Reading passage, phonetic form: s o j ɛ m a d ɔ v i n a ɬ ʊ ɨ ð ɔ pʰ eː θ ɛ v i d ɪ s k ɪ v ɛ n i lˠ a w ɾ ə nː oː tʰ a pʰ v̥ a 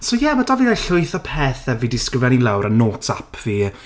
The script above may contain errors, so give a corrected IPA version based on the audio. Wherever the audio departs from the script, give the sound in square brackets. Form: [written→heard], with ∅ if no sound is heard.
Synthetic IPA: s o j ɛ m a d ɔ v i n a ɬ ʊ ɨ [ð→θ] ɔ pʰ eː θ ɛ v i d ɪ s k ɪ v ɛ n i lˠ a w ɾ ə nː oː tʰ a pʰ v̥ [a→i]

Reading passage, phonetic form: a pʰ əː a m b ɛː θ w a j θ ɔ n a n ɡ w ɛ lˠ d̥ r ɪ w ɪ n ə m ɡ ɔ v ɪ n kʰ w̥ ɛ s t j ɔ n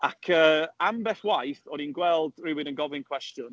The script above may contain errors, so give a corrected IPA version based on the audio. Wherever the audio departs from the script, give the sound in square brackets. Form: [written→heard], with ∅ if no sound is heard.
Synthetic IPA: a [pʰ→kʰ] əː a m b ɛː θ w a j θ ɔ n [a→i] n ɡ w ɛ lˠ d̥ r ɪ w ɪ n ə [m→n] ɡ ɔ v ɪ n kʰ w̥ ɛ s t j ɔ n

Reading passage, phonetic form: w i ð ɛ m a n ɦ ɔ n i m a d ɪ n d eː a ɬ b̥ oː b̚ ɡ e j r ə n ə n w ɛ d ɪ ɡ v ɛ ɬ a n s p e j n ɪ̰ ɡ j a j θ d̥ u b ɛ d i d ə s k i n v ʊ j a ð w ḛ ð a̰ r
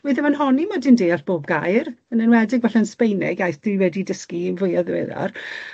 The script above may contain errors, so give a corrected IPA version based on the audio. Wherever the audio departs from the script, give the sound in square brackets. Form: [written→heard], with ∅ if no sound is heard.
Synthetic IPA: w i ð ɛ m a n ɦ ɔ n i m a d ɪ n d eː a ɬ b̥ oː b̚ ɡ [e→a] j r ə n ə n w ɛ d ɪ ɡ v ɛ ɬ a n s p e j n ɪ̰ ɡ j a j θ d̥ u [b→w] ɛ d i d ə s k i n v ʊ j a ð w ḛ ð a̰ r

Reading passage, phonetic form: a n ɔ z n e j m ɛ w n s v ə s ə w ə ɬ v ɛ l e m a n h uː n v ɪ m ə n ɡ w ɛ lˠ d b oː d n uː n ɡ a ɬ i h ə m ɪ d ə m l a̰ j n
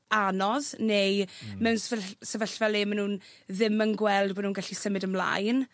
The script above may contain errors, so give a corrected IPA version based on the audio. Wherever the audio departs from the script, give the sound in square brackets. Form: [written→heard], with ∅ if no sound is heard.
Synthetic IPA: a n ɔ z n e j m ɛ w n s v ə s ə [w→v] ə ɬ v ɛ l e m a n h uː n [v→ð] ɪ m ə n ɡ w ɛ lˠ d b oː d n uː n ɡ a ɬ i [h→s] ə m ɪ d ə m l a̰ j n

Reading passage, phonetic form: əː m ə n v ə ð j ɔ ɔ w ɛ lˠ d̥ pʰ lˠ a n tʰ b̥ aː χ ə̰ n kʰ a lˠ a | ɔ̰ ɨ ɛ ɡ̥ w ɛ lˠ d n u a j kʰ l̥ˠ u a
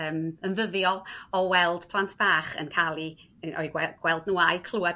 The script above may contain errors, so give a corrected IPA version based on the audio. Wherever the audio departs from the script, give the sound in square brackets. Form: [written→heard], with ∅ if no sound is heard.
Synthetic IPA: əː m ə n v ə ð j ɔ ɔ w ɛ lˠ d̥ pʰ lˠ a n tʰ b̥ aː χ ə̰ n kʰ a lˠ [a→i] | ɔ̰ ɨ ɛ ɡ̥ w ɛ lˠ d n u a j kʰ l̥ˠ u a

